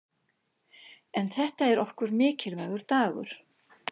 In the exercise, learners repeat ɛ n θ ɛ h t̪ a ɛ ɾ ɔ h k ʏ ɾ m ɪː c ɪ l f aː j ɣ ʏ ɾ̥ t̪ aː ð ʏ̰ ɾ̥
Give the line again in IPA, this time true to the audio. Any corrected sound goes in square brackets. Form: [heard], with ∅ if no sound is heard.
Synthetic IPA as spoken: ɛ n θ ɛ h t̪ a ɛ ɾ ɔ h k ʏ ɾ m ɪː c ɪ l [v] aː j ɣ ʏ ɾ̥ t̪ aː [ɣ] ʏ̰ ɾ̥

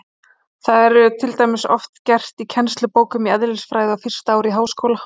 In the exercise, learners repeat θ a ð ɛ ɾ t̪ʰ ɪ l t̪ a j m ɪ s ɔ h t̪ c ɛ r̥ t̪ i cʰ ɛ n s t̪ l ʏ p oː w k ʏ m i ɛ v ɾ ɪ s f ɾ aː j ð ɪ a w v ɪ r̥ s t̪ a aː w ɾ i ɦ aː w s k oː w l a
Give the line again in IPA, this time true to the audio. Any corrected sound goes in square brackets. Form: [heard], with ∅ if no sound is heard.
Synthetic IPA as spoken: θ a ð ɛ ɾ t̪ʰ ɪ l t̪ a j m ɪ s ɔ [f] t̪ c ɛ r̥ t̪ i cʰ ɛ n s t̪ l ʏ p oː w k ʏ m i ɛ [ð] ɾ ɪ s f ɾ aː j ð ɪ a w [f] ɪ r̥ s t̪ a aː w ɾ i ɦ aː w s k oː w l a

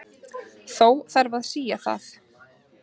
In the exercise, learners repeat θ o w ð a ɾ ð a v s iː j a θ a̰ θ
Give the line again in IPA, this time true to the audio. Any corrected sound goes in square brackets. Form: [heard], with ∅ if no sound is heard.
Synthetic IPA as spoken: θ o w [θ] a ɾ [v] a [ð] s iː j a θ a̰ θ

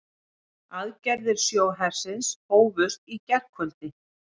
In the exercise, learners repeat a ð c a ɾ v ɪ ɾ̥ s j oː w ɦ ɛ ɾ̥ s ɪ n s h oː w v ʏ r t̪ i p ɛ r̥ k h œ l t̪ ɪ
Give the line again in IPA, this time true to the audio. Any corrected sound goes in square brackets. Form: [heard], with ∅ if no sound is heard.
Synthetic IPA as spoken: a ð c [ɛ] ɾ [ð] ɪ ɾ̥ s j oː w ɦ ɛ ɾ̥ s ɪ n s h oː w v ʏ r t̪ i [c] ɛ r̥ k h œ l t̪ ɪ

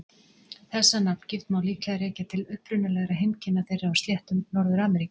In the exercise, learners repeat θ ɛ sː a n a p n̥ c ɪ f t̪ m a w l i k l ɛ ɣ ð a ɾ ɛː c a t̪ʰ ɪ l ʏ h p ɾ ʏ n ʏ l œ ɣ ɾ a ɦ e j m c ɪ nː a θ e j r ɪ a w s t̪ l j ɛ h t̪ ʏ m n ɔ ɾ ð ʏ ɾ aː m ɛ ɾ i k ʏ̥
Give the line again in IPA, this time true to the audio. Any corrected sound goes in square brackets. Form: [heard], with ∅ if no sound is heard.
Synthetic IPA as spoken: θ ɛ sː a n a p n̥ c ɪ f t̪ m a w l [iː] k l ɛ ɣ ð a ɾ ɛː c a t̪ʰ ɪ l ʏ h p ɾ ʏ n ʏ l [ɛ] ɣ ɾ a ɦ e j m c ɪ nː a θ e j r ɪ a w s t̪ l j ɛ h t̪ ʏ m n ɔ ɾ ð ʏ ɾ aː m ɛ ɾ i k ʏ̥

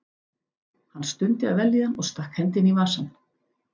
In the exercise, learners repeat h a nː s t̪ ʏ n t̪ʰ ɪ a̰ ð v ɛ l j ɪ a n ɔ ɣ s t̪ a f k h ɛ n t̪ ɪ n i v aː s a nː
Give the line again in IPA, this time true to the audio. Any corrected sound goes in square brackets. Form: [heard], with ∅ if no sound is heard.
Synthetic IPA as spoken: h a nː s t̪ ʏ n [t̪] ɪ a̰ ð v ɛ l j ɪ a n ɔ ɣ s t̪ a [h] k h ɛ n t̪ ɪ n i v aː s a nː

